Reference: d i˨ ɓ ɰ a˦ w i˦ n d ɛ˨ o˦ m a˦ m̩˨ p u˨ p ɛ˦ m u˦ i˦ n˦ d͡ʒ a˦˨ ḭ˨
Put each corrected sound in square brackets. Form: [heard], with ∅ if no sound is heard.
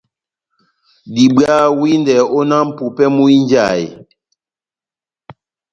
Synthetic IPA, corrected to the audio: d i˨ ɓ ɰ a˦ w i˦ n d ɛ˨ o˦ [n] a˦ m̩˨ p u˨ p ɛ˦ m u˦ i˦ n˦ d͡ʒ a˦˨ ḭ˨